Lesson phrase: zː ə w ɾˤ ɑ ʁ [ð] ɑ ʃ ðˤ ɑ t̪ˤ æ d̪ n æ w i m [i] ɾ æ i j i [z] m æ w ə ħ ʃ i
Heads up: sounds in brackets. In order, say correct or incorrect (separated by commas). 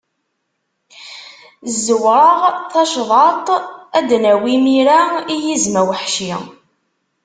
incorrect, correct, correct